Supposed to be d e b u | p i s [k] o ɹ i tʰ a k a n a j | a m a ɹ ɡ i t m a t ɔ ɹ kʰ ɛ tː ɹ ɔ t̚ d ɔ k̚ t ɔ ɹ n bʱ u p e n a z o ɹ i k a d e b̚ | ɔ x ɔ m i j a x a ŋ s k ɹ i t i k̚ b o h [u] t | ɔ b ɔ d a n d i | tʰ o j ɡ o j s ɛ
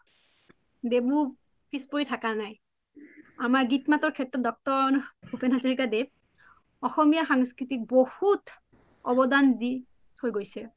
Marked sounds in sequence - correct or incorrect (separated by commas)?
incorrect, correct